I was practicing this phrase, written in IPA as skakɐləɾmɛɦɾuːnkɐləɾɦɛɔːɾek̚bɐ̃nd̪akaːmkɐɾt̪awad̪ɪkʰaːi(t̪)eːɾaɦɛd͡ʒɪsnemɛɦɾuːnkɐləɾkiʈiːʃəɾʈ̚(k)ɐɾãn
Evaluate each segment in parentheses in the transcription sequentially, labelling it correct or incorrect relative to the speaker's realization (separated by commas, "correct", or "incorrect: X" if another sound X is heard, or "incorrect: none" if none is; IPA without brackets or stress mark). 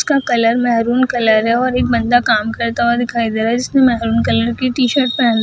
incorrect: d̪, incorrect: p